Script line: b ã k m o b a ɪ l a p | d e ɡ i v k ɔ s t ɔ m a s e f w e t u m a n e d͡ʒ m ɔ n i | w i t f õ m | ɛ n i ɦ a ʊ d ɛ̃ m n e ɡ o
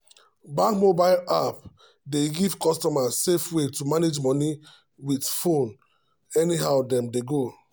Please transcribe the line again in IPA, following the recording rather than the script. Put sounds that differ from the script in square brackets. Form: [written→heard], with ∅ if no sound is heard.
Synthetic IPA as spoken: b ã k m o b a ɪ l a p | d e ɡ i v k ɔ s t ɔ m a s e f w e t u m a n e d͡ʒ m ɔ n i | w i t f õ [m→n] | ɛ n i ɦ a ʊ d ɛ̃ m [n→d] e ɡ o